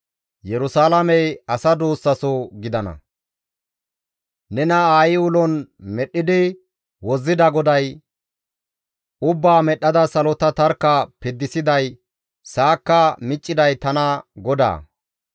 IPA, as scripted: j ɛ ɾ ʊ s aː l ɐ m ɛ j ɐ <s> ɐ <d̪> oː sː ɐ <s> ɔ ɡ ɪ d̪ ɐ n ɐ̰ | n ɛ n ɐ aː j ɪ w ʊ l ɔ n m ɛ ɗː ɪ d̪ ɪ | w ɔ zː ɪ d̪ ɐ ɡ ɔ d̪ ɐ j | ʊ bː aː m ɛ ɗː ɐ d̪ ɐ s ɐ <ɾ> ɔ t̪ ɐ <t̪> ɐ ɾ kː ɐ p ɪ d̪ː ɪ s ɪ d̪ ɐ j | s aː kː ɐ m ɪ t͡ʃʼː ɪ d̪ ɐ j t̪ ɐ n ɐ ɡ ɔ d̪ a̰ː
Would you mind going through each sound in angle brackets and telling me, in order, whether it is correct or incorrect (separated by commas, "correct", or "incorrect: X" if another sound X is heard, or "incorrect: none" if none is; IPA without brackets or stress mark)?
correct, correct, correct, incorrect: l, correct